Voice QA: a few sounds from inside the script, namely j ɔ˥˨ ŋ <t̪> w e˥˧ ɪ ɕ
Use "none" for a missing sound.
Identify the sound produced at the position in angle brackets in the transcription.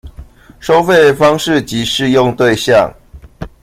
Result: t̪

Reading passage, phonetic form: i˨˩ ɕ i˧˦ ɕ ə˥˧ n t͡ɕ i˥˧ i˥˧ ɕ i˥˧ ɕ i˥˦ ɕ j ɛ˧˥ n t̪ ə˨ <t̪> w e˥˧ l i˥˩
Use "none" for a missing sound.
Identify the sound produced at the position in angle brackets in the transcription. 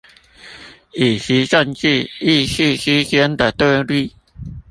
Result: t̪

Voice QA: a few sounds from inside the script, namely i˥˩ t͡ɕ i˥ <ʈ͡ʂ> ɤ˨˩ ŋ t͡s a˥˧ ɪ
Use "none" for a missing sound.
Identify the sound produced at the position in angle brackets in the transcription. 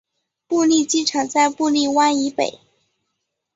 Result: ʈ͡ʂʰ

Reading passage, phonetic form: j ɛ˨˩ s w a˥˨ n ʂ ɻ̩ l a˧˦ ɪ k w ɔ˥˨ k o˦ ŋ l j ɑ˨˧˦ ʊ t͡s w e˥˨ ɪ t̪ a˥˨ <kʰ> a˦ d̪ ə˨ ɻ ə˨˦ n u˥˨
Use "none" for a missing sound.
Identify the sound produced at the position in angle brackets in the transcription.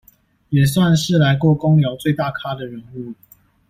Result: kʰ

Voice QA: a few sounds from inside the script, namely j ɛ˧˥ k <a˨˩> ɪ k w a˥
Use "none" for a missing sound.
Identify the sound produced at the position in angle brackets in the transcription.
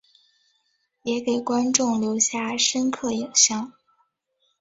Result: e˨˩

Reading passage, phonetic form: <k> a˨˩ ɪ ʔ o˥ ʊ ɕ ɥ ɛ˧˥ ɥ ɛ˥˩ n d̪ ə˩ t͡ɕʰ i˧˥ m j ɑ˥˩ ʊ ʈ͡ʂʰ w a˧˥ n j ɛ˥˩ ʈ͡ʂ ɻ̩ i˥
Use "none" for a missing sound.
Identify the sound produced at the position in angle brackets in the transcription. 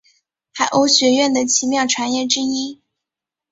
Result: x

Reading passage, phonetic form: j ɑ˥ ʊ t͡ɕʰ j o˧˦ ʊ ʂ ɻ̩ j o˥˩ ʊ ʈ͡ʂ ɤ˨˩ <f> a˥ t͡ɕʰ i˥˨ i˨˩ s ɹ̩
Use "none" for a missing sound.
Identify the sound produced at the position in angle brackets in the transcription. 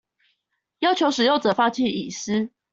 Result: f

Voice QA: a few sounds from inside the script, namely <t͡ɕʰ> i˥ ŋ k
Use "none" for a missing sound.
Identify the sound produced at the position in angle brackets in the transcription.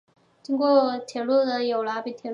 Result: t͡ɕ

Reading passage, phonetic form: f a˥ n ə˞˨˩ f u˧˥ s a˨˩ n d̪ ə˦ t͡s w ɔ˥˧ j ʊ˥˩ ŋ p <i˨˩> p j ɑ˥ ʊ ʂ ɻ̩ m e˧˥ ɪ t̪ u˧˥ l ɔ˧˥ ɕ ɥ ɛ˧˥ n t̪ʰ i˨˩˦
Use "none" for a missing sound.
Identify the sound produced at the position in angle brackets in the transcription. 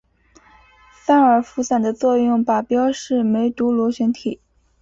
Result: a˨˩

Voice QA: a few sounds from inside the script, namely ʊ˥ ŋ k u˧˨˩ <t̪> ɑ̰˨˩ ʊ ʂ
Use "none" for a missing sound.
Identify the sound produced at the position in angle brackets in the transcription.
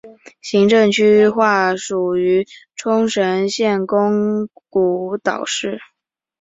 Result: t̪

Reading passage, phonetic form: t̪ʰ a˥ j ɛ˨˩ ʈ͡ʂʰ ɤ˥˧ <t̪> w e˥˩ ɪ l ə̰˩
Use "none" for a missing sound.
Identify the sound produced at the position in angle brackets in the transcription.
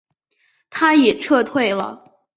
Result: t̪ʰ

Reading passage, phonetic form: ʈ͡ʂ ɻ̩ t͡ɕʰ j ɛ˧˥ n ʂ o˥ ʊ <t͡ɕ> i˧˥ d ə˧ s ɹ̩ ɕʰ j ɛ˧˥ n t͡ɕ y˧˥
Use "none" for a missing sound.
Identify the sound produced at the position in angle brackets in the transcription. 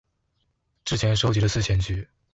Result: t͡ɕ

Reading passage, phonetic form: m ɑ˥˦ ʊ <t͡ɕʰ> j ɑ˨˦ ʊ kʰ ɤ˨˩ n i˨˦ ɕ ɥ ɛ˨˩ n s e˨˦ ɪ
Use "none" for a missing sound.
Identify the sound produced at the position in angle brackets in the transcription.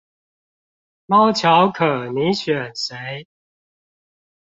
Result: t͡ɕʰ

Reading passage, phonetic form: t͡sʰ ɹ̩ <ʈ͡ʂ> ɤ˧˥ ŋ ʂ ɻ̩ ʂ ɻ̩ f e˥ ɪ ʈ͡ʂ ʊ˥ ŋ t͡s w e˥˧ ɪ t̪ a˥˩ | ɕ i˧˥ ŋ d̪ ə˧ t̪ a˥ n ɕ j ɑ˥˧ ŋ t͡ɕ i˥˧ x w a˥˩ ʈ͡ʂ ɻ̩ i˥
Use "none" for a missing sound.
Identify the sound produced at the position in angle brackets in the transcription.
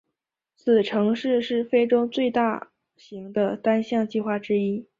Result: ʈ͡ʂʰ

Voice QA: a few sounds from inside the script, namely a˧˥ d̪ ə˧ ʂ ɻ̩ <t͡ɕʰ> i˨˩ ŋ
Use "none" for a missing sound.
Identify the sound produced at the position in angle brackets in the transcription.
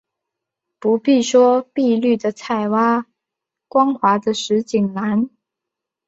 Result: t͡ɕ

